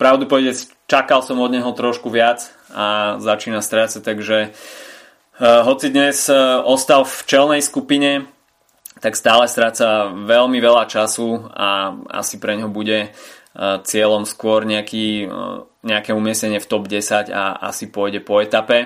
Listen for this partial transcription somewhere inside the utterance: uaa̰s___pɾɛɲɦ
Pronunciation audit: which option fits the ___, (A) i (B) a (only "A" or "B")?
A